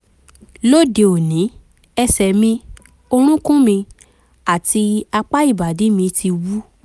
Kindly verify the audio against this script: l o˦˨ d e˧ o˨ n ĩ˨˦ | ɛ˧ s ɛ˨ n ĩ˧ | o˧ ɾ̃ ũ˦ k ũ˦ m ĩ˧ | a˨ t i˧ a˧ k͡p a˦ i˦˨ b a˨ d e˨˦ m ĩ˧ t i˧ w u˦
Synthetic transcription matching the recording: l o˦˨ d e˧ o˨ n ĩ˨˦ | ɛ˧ s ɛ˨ m ĩ˧ | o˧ ɾ̃ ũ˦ k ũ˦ m ĩ˧ | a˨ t i˧ a˧ k͡p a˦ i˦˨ b a˨ d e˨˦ m ĩ˧ t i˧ w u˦